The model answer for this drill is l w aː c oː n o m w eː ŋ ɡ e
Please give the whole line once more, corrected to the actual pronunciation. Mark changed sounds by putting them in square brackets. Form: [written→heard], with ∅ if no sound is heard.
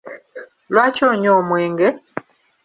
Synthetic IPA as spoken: l w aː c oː [n→ɲ] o m w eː ŋ ɡ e